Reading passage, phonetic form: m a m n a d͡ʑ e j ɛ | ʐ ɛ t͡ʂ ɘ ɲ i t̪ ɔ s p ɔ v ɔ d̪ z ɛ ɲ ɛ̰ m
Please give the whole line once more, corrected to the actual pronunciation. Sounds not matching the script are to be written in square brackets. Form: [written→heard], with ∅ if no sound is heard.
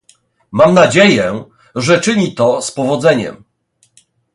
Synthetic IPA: m a m n a d͡ʑ e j ɛ | ʐ ɛ t͡ʂ ɘ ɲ i t̪ ɔ s p ɔ v ɔ d̪ z ɛ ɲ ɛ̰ m